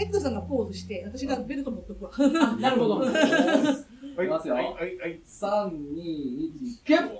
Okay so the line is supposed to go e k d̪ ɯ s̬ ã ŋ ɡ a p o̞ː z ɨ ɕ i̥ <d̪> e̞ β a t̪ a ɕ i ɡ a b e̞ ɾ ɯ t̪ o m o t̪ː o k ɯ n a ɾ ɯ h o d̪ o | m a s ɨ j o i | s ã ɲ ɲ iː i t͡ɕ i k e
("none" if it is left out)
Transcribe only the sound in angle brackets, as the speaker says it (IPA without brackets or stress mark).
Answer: t̪